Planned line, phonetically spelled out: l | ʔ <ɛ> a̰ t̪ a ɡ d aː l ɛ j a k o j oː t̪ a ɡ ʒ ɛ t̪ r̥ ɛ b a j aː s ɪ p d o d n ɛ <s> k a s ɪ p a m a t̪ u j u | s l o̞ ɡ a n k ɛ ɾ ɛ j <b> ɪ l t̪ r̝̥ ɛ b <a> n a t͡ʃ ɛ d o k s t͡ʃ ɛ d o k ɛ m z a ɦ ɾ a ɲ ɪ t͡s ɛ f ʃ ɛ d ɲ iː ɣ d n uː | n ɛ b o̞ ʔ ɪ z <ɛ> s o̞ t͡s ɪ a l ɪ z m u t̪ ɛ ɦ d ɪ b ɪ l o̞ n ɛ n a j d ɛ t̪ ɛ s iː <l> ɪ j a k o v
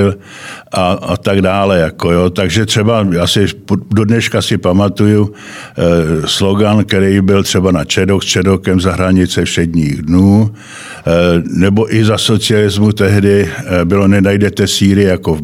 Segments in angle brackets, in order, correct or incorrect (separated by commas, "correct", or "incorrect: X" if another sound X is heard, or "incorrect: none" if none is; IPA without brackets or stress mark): incorrect: a, incorrect: ʃ, correct, correct, incorrect: a, incorrect: ɾ